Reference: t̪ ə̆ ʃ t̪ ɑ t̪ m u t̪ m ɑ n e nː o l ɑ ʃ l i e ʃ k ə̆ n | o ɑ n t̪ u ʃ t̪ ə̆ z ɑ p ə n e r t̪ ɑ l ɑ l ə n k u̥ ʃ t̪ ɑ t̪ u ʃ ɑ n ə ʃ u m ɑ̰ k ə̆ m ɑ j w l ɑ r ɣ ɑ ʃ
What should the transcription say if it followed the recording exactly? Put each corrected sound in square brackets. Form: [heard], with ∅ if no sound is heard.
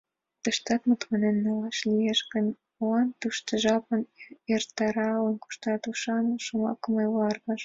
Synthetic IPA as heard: t̪ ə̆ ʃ t̪ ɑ t̪ m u t̪ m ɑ n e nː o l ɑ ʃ l i e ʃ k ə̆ n | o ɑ n t̪ u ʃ t̪ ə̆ [ʒ] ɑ p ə n e r t̪ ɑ [ɾ] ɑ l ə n k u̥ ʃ t̪ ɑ t̪ u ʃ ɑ n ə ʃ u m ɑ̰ k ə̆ m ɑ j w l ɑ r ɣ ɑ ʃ

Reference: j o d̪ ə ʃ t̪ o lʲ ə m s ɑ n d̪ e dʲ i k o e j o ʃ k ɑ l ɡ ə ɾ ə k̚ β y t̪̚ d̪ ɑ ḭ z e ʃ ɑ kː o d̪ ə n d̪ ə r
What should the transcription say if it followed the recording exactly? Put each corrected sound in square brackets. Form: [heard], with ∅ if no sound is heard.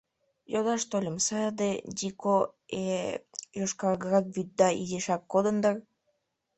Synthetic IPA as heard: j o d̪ [ɑ] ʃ t̪ o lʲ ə m s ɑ [∅] d̪ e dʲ i k o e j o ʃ k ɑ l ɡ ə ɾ [ɑ] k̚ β y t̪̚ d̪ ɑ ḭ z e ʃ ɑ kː o d̪ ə n d̪ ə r

